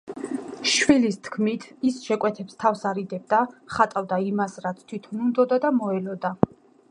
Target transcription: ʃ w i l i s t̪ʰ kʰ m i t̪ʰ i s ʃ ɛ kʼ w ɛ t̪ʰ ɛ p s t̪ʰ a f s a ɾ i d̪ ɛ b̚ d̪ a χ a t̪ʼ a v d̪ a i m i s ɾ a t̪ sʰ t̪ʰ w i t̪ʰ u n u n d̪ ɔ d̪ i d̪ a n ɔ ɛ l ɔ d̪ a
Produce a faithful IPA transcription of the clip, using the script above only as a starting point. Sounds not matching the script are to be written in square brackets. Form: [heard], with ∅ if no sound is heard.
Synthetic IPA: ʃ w i l i s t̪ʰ kʰ m i t̪ʰ i s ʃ ɛ kʼ w ɛ t̪ʰ ɛ p s t̪ʰ a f s a ɾ i d̪ ɛ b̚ d̪ a χ a t̪ʼ a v d̪ a i m [a] s ɾ a t̪ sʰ t̪ʰ w i t̪ʰ [ɔ] n u n d̪ ɔ d̪ [a] d̪ a [m] ɔ ɛ l ɔ d̪ a